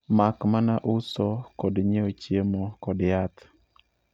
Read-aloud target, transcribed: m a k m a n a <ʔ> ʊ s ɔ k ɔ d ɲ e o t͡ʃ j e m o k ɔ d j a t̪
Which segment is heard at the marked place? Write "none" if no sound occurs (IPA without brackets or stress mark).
ʔ